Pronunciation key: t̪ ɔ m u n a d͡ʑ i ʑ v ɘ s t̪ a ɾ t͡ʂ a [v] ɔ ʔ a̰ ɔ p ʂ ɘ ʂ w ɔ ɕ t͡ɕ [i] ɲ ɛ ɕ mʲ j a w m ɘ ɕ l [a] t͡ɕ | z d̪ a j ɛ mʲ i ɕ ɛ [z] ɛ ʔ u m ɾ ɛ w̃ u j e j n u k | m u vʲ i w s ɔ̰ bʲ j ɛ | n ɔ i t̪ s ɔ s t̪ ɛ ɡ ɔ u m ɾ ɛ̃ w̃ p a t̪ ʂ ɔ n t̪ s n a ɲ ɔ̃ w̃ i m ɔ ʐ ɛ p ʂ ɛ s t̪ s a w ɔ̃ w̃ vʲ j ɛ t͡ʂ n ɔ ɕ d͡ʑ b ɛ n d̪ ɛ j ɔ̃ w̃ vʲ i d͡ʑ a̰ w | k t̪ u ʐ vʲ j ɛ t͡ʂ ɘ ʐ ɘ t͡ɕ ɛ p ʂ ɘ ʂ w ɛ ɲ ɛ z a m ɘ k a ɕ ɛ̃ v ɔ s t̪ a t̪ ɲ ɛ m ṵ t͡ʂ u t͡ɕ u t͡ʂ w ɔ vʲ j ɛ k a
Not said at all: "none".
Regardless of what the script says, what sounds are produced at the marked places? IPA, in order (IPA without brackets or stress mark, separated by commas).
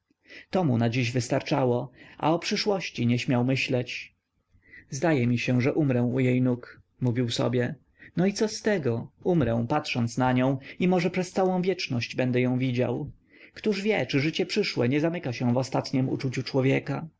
w, i, ɛ, ʐ